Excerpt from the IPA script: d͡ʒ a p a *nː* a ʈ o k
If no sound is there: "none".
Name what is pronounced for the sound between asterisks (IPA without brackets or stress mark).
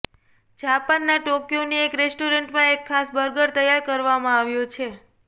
nː